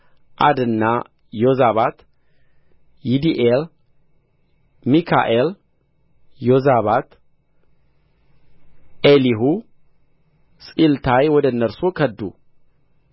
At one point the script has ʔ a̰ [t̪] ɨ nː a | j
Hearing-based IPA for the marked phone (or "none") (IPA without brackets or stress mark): d̪